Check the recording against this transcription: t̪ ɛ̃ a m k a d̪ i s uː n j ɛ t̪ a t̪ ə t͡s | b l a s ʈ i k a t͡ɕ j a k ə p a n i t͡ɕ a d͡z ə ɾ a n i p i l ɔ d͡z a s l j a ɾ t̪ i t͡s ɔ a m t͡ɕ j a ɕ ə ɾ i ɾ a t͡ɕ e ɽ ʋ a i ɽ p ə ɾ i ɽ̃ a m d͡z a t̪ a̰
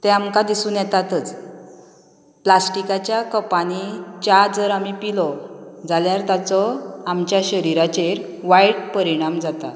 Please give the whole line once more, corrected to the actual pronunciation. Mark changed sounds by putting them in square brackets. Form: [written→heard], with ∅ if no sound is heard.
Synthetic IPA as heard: t̪ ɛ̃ a m k a d̪ i s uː n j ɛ t̪ a t̪ ə t͡s | [b→p] l a s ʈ i k a t͡ɕ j a k ə p a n i t͡ɕ a d͡z ə ɾ a [n→m] i p i l ɔ d͡z a [s→∅] l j a ɾ t̪ [i→a] t͡s ɔ a m t͡ɕ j a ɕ ə ɾ i ɾ a t͡ɕ e [ɽ→ɾ] ʋ a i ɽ p ə ɾ i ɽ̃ a m d͡z a t̪ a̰